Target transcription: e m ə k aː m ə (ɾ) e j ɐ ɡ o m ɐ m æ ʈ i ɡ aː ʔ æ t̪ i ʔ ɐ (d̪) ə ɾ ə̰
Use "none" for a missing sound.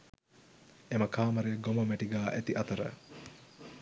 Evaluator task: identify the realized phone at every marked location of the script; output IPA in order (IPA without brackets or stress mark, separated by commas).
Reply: ɾ, t̪